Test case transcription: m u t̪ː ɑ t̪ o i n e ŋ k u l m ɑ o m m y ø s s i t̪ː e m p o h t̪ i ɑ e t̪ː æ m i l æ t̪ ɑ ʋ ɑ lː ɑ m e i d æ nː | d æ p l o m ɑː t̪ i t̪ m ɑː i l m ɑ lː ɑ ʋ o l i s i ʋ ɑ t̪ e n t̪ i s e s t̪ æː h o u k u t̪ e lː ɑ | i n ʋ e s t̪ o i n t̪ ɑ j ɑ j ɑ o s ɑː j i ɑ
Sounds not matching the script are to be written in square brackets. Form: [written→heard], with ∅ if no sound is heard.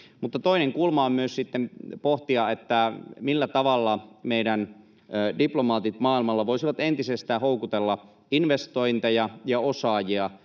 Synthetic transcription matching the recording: m u t̪ː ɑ t̪ o i n e ŋ k u l m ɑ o m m y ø s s i t̪ː e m p o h t̪ i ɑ e t̪ː æ m i [l→lː] æ t̪ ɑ ʋ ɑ lː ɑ m e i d æ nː | d [æ→i] p l o m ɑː t̪ i t̪ m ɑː i l m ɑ lː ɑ ʋ o [l→∅] i s i ʋ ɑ t̪ e n t̪ i s e s t̪ æː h o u k u t̪ e lː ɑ | i n ʋ e s t̪ o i n t̪ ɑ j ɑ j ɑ o s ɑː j i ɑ